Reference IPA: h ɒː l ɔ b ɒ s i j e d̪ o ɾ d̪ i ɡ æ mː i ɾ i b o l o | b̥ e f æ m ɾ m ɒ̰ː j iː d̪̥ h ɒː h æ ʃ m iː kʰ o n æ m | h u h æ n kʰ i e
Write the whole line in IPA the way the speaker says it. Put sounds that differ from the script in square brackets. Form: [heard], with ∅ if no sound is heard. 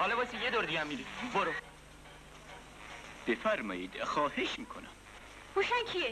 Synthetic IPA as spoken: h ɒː l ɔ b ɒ s i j e d̪ o ɾ d̪ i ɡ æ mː i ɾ i b o [ɾ] o | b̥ e f æ [∅] ɾ m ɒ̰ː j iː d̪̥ [x] ɒː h [e] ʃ m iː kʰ o n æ m | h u [ʃ] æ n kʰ i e

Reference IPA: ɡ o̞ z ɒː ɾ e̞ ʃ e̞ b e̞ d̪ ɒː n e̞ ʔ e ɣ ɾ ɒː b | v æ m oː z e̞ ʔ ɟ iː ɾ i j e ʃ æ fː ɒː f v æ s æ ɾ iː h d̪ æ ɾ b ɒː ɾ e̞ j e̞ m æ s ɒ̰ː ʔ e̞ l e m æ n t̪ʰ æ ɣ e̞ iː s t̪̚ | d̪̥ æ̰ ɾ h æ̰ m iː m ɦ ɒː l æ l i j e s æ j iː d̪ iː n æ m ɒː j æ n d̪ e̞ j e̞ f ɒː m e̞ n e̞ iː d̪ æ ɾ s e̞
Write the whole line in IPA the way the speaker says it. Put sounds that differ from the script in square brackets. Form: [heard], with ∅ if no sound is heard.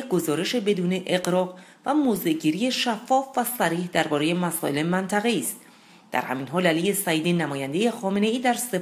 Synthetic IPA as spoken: ɡ o̞ z ɒː ɾ e̞ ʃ e̞ b e̞ d̪ [uː] n e̞ ʔ e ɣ ɾ ɒː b | v æ m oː z e̞ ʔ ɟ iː ɾ i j e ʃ æ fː ɒː f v æ s æ ɾ iː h d̪ æ ɾ b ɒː ɾ e̞ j e̞ m æ s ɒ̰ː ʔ e̞ l e m æ n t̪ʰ æ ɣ e̞ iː s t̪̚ | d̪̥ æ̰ ɾ h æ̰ m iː [n] ɦ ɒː l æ l i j e s æ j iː d̪ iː n æ m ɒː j æ n d̪ e̞ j e̞ [x] ɒː m e̞ n e̞ iː d̪ æ ɾ s e̞

